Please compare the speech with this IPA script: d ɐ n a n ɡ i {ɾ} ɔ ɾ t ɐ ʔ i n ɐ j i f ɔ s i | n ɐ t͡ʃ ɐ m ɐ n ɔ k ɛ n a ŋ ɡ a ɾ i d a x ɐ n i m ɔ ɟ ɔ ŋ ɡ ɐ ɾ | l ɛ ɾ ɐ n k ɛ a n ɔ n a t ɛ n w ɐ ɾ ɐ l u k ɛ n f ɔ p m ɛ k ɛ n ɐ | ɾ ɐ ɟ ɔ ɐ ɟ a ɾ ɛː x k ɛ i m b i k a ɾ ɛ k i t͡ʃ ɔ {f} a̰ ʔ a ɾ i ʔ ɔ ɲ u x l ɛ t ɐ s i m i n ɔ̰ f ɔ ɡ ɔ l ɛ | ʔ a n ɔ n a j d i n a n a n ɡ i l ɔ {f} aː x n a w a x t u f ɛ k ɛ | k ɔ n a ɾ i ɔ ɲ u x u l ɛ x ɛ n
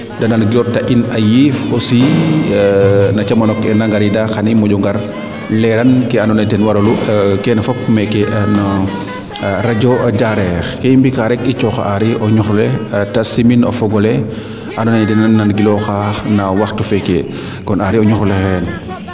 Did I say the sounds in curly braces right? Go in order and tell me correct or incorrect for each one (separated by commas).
incorrect, incorrect, incorrect